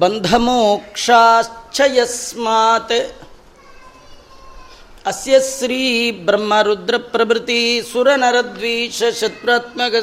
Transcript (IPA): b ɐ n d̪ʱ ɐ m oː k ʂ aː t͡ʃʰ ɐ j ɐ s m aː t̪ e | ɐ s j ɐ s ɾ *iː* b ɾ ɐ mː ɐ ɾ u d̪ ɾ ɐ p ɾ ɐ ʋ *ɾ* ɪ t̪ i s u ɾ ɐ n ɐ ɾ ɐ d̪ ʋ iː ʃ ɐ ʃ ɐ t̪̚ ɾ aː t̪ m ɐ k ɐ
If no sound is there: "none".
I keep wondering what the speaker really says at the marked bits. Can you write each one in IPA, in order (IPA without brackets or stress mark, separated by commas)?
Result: iː, ɾ